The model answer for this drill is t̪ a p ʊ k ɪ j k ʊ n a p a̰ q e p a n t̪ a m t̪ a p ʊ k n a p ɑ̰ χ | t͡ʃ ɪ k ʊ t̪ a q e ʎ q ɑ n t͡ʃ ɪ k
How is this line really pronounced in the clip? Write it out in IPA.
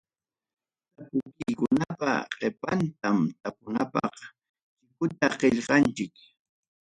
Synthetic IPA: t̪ a p ʊ k ɪ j k ʊ n a p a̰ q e p a n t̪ a m t̪ a p ʊ n a p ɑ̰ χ | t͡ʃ ɪ k ʊ t̪ a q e ʎ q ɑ n t͡ʃ ɪ k